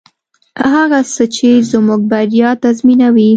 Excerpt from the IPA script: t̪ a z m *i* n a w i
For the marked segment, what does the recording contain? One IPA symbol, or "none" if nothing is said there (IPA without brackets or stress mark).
i